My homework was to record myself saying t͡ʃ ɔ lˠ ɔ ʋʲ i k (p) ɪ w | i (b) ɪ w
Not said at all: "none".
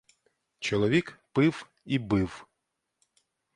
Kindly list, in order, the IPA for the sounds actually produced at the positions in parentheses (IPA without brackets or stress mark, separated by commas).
p, b